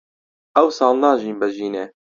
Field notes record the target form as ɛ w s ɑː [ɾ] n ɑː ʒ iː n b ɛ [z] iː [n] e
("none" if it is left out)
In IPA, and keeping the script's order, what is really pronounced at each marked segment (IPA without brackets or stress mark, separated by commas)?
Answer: l, ʒ, n